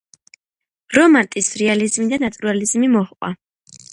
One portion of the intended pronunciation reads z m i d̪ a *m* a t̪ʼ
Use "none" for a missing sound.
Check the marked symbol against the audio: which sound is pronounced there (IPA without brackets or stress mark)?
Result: n